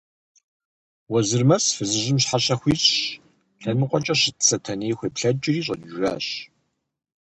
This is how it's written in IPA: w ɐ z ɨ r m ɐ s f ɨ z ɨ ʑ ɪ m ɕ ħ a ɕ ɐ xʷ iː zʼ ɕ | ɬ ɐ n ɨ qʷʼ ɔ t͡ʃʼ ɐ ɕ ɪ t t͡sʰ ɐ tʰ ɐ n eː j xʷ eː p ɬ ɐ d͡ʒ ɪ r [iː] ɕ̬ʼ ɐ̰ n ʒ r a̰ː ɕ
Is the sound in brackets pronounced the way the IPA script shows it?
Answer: yes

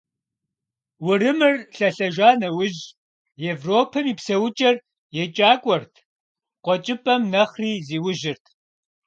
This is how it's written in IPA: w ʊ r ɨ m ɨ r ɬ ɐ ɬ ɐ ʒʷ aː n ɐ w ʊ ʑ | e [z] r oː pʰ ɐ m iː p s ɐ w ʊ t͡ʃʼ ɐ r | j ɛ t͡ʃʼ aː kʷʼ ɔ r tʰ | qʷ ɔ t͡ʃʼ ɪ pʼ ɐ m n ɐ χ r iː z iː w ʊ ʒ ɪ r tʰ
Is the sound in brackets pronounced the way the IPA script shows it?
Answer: no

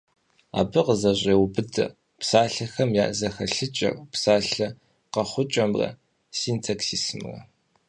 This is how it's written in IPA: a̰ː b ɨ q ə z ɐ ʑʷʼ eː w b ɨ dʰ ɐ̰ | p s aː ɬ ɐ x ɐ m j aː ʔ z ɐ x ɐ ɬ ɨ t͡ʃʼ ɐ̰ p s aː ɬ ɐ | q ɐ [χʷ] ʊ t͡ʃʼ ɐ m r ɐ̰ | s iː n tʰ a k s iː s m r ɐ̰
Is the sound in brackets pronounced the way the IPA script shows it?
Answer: yes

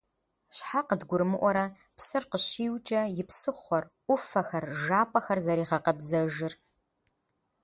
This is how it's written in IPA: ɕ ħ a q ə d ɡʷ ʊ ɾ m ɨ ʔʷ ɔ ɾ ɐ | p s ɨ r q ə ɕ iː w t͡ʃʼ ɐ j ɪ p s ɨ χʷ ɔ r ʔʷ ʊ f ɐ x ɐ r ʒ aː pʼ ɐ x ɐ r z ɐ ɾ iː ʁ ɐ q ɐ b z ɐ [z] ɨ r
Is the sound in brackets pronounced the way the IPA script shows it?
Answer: no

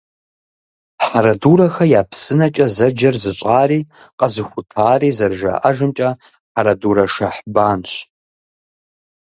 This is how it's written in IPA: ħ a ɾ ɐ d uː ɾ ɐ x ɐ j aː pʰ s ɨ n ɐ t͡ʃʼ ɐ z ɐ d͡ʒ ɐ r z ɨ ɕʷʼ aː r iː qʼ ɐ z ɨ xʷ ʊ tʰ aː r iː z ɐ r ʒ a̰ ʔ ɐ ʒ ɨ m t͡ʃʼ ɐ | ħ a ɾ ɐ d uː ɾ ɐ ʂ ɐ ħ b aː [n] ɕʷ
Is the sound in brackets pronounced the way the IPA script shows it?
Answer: yes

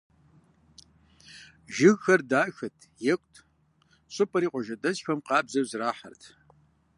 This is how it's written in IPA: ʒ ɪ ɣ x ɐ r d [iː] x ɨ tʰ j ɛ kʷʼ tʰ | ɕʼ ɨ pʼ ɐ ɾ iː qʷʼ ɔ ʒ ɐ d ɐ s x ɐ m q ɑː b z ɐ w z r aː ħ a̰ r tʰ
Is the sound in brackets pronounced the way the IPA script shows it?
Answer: no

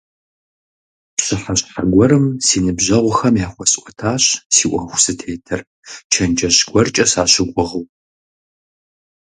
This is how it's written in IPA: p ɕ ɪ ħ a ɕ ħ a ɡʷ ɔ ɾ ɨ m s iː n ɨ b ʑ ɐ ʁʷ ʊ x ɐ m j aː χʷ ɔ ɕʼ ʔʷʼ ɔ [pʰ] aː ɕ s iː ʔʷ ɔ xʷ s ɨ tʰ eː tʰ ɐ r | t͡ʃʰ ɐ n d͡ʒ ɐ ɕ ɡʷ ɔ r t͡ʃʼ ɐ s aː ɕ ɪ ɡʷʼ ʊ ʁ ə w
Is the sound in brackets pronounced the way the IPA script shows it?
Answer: no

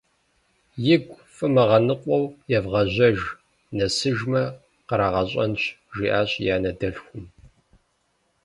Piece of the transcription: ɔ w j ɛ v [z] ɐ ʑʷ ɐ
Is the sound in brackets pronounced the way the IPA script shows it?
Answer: no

